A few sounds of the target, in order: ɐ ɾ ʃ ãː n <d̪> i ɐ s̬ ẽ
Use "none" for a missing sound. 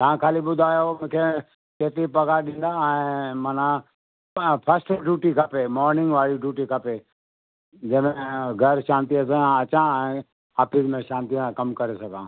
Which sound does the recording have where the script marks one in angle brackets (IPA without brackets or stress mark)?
t̪